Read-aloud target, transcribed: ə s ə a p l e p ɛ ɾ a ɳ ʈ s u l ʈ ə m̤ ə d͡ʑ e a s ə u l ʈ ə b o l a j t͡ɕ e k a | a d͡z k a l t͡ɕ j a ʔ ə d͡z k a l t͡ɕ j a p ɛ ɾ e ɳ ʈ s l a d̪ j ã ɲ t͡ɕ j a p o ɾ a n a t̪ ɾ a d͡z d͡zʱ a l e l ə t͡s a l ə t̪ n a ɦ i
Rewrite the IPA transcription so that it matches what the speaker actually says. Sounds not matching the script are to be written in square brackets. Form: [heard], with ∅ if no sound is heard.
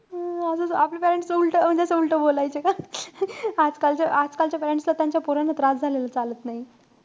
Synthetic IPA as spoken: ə s ə a p l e p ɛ ɾ [e] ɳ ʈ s u l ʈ ə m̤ ə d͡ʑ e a s ə u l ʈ ə b o l a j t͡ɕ e k a | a d͡z k a l t͡ɕ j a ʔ [a] d͡z k a l t͡ɕ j a p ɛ ɾ e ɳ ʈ s l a [t̪] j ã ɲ t͡ɕ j a p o ɾ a n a t̪ ɾ a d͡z d͡zʱ a l e l ə t͡s a l ə t̪ n a ɦ i

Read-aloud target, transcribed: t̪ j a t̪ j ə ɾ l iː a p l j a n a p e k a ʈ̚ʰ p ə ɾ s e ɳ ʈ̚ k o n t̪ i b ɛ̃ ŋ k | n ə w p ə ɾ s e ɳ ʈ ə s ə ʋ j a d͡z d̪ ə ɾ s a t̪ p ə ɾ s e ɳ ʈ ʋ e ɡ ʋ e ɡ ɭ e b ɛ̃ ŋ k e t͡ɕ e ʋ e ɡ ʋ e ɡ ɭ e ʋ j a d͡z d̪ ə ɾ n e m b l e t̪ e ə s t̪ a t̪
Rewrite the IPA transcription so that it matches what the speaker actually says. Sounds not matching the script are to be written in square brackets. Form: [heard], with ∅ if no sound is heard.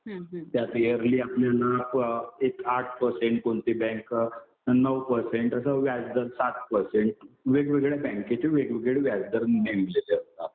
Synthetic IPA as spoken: t̪ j a t̪ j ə ɾ l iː a p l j a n a p e k a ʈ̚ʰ p ə ɾ s e ɳ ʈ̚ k o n t̪ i b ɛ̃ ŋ k | n ə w p ə ɾ s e ɳ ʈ ə s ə ʋ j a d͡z d̪ ə ɾ s a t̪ p ə ɾ s e ɳ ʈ ʋ e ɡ ʋ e ɡ ɭ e b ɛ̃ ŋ k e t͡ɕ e ʋ e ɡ ʋ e ɡ ɭ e ʋ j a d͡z d̪ ə ɾ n e m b l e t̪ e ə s t̪ a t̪

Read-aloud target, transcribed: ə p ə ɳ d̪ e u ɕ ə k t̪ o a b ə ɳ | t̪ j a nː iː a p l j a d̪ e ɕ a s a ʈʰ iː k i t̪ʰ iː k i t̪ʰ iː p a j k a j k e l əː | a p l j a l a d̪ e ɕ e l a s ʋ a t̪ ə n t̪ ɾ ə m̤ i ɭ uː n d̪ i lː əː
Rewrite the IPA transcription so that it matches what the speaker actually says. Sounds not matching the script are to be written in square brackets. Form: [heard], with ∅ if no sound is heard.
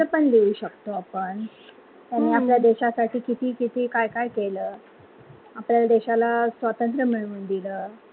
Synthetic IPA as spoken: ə p ə ɳ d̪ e u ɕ ə k t̪ o a [p] ə ɳ | t̪ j a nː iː a p l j a d̪ e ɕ a s a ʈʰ iː k i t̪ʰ iː k i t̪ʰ iː [k] a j k a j k e l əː | a p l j a l a d̪ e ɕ [a] l a s ʋ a t̪ ə n t̪ ɾ ə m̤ i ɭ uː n d̪ i [l] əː

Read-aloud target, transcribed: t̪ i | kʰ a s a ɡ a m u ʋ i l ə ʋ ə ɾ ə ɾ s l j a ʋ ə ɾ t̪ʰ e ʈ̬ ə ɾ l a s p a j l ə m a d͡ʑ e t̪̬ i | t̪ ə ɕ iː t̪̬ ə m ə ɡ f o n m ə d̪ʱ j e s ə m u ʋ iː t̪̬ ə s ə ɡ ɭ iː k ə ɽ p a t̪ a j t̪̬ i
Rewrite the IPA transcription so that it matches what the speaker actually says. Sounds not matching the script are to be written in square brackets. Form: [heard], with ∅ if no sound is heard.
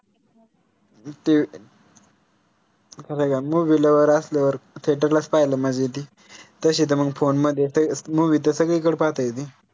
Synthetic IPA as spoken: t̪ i | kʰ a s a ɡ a m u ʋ i l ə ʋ ə ɾ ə [∅] s l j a ʋ ə ɾ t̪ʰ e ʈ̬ ə ɾ l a s p a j l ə m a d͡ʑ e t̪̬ i | t̪ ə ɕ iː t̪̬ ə m ə ɡ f o n m ə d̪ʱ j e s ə m u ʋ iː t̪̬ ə s ə ɡ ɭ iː k ə ɽ p a t̪ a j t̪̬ i

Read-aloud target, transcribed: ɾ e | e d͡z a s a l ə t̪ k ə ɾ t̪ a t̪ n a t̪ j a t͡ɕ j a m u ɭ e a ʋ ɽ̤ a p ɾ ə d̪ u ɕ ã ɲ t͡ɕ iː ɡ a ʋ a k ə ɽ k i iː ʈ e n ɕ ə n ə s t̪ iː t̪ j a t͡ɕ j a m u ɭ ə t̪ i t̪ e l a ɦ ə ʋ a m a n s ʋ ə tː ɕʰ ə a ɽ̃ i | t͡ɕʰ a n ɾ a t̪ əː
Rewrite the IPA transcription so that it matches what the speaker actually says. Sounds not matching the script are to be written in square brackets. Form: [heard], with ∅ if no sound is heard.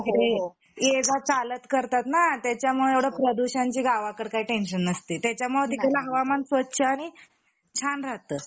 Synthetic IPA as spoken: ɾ e | e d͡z a [t͡s] a l ə t̪ k ə ɾ t̪ a t̪ n a t̪ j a t͡ɕ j a m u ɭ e [e] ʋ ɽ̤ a p ɾ ə d̪ u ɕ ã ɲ t͡ɕ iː ɡ a ʋ a k ə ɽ k [a] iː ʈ e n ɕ ə n ə s t̪ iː t̪ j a t͡ɕ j a m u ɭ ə t̪ i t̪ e l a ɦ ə ʋ a m a n s ʋ ə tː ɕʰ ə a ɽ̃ i | t͡ɕʰ a n ɾ a t̪ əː

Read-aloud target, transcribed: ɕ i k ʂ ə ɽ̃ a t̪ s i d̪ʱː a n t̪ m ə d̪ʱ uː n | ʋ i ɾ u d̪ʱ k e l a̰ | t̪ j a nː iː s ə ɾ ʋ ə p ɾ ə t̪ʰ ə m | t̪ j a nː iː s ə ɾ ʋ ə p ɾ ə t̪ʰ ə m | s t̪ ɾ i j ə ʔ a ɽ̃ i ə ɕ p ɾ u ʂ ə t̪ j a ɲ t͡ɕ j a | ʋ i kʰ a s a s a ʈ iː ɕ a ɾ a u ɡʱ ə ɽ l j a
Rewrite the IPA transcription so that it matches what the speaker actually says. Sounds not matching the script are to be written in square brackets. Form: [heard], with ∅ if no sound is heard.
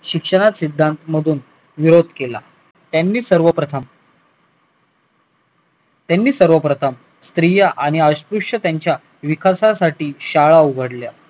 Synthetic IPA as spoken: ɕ i k ʂ ə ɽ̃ a t̪ s i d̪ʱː a n t̪ m ə d̪ʱ uː n | ʋ i ɾ [o] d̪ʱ k e l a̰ | t̪ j a nː iː s ə ɾ ʋ ə p ɾ ə t̪ʰ ə m | t̪ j a nː iː s ə ɾ ʋ ə p ɾ ə t̪ʰ ə m | s t̪ ɾ i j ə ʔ a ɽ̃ i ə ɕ p ɾ u ʂ ə t̪ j a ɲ t͡ɕ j a | ʋ i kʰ a s a s a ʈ iː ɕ a [ɭ] a u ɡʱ ə ɽ l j a

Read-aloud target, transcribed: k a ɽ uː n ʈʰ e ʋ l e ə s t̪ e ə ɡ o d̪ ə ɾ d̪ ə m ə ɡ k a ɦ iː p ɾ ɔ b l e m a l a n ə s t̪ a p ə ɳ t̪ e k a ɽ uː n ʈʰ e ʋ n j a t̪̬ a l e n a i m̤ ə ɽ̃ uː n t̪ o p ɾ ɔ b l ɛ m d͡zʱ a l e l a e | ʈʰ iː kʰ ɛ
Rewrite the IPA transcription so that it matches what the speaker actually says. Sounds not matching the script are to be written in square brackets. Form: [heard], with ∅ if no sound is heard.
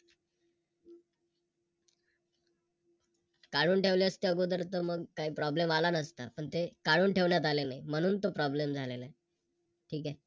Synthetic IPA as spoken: k a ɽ uː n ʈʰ e ʋ l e ə s t̪ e ə ɡ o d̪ ə ɾ [t̪] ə m ə ɡ k a ɦ iː p ɾ ɔ b l e m a l a n ə s t̪ a p ə ɳ t̪ e k a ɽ uː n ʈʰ e ʋ [ɳ] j a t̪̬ a l e n a i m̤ ə ɽ̃ uː n t̪ o p ɾ ɔ b l [e] m d͡zʱ a l e l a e | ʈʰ iː [k] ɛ

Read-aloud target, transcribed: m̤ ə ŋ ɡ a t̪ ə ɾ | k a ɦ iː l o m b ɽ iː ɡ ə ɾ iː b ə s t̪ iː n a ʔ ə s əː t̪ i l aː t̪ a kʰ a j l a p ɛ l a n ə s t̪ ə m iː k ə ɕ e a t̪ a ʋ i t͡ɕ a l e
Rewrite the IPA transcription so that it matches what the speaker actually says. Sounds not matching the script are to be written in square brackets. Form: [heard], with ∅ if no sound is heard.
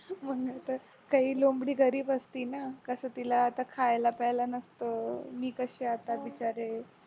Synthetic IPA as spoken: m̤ ə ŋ ɡ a t̪ ə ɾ | k a ɦ iː l o m b ɽ iː ɡ ə ɾ iː b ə s t̪ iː n a [k] ə s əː t̪ i l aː t̪ a kʰ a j l a p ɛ l a n ə s t̪ ə m iː k ə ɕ e a t̪ a ʋ i t͡ɕ a [ɾ] e

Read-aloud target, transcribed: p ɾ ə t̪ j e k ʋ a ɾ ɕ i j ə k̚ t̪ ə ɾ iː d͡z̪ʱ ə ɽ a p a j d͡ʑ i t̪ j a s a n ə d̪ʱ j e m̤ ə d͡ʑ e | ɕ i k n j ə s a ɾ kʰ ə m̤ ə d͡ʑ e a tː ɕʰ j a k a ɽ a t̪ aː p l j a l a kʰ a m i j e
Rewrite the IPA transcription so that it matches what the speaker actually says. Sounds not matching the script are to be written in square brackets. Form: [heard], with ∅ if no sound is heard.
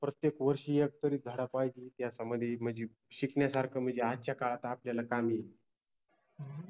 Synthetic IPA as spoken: p ɾ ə t̪ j e k ʋ [ə] ɾ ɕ i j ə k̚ t̪ ə ɾ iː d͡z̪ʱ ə ɽ a p a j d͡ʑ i t̪ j a s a [m] ə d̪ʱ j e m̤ ə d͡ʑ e | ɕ i k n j [a] s a ɾ kʰ ə m̤ ə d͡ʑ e a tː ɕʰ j a k a [ɭ] a t̪ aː p l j a l a [k] a m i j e

